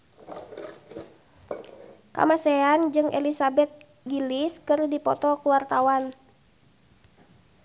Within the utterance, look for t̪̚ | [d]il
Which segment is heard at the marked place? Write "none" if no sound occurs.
ɡ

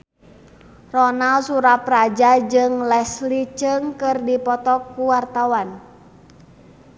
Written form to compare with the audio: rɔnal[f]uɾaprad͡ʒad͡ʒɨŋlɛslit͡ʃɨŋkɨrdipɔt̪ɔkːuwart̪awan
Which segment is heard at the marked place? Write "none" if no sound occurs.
s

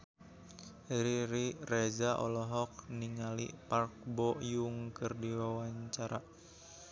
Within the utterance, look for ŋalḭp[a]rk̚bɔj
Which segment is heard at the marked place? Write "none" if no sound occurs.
a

